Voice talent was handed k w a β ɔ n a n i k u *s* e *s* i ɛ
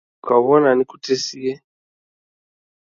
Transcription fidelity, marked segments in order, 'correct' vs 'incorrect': incorrect, correct

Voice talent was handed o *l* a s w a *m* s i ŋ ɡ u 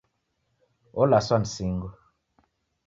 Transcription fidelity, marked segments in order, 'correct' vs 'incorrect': correct, incorrect

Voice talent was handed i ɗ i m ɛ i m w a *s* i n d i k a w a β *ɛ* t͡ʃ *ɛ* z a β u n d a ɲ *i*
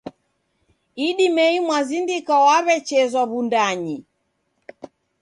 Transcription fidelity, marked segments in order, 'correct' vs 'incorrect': incorrect, correct, correct, correct

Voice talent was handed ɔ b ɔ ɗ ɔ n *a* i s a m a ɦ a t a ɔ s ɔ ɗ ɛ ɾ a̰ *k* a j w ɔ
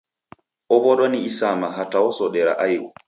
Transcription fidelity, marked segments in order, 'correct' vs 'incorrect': incorrect, incorrect

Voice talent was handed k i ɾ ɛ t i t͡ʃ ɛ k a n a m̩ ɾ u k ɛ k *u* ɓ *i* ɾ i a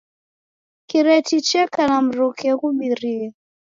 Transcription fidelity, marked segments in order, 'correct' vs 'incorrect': correct, correct

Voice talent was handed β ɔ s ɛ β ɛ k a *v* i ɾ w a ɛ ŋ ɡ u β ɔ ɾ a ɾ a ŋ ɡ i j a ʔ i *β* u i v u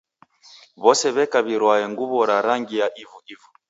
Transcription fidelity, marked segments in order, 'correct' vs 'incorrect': incorrect, incorrect

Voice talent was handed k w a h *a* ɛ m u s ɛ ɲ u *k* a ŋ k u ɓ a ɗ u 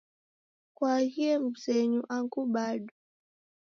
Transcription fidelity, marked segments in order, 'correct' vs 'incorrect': incorrect, incorrect

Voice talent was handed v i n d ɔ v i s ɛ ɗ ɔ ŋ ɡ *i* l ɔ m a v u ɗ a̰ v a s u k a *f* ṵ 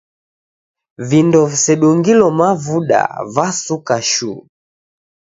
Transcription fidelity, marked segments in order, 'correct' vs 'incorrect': correct, incorrect

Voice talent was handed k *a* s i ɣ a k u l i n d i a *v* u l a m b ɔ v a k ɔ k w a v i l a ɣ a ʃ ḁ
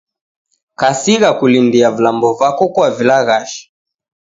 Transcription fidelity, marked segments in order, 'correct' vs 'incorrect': correct, correct

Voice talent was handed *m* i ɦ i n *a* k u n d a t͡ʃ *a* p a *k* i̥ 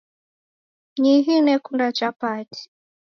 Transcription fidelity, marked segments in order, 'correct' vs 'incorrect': incorrect, incorrect, correct, incorrect

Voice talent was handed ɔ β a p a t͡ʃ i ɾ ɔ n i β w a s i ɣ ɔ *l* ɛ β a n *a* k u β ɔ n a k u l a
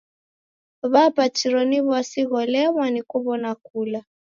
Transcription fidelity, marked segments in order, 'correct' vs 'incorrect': correct, incorrect

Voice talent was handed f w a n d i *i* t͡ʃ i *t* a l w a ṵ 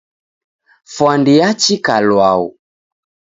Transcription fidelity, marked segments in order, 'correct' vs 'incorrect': incorrect, incorrect

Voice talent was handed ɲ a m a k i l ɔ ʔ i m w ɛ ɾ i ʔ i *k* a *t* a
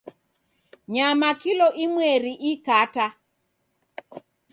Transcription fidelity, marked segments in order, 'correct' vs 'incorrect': correct, correct

